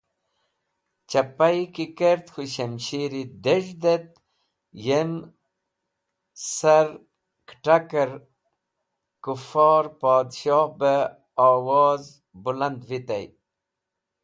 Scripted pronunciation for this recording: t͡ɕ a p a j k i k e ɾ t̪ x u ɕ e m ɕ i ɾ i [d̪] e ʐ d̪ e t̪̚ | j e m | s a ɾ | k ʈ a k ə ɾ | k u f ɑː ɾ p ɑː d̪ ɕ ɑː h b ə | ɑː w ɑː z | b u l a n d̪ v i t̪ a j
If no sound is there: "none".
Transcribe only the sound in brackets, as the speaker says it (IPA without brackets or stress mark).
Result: d̪